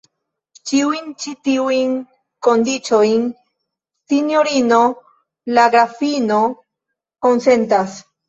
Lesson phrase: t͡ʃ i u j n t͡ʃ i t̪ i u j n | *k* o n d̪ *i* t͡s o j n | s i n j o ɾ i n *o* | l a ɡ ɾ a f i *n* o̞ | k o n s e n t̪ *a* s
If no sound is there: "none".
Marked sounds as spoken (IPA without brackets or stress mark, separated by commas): k, i, o, n, a